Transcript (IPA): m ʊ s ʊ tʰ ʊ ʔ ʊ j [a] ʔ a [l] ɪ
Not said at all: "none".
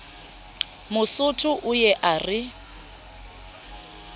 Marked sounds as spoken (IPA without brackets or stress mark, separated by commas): ɛ, r